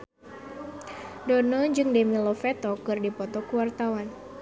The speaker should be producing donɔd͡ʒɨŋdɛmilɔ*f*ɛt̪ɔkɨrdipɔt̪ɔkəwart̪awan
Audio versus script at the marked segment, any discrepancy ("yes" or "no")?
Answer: no